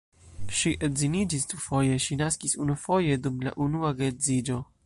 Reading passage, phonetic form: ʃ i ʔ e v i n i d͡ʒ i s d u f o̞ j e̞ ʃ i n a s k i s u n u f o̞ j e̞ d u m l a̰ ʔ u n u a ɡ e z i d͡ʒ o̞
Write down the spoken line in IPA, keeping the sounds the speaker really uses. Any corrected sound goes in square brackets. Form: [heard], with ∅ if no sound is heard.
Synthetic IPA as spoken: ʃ i ʔ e [z] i n i d͡ʒ i s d u f o̞ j e̞ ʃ i n a s k i s u n u f o̞ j e̞ d u m l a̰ ʔ u n u a ɡ e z i d͡ʒ o̞